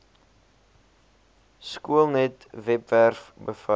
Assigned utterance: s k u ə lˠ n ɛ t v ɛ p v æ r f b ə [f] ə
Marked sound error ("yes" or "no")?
no